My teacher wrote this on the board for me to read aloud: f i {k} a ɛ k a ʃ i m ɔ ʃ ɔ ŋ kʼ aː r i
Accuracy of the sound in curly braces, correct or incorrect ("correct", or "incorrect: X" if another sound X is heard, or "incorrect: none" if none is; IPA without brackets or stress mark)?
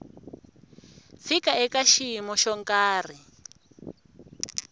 correct